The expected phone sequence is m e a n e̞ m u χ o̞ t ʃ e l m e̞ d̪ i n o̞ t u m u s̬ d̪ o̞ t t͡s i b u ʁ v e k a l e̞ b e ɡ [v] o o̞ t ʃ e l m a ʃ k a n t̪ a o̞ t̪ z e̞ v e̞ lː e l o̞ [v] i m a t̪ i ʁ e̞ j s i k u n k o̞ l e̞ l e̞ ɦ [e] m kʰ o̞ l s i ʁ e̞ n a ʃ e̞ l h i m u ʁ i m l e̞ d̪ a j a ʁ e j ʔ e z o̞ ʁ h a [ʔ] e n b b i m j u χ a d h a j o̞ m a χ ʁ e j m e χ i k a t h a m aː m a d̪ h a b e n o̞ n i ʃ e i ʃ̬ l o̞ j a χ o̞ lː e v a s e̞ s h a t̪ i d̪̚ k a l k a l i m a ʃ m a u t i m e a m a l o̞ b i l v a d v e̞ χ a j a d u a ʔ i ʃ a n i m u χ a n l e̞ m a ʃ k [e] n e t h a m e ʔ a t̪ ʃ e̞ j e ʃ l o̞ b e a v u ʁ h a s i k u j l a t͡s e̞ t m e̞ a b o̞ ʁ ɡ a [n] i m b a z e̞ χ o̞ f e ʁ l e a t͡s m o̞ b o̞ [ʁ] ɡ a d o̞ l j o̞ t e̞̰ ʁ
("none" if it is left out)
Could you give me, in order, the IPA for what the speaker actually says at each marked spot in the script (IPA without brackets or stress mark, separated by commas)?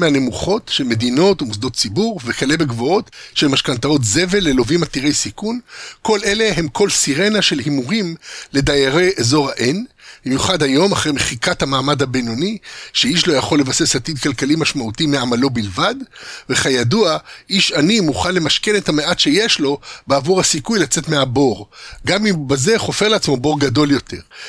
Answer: v, v, e, ʔ, e, m, ʁ